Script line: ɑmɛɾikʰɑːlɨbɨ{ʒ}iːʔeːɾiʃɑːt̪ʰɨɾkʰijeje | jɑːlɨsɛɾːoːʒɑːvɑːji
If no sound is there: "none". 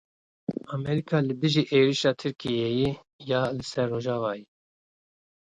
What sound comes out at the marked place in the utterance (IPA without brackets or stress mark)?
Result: ʒ